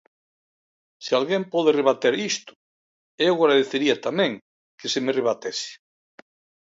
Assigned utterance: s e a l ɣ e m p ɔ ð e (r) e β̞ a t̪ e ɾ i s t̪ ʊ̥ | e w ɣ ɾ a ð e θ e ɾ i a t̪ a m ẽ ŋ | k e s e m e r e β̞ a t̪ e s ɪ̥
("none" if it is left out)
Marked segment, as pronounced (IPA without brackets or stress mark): r